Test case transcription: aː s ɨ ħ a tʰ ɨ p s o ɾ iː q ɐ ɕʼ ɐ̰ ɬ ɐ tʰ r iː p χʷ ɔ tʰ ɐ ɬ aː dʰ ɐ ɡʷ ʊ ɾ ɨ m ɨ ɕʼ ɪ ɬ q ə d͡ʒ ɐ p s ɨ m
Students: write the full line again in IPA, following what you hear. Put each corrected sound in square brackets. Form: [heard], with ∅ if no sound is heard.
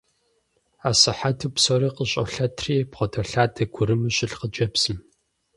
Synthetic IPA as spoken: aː s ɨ ħ a tʰ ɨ p s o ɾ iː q [ə] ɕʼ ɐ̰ ɬ ɐ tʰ r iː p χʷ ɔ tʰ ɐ ɬ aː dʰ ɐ ɡʷ ʊ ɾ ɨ m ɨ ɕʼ ɪ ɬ q ə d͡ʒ ɐ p s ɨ m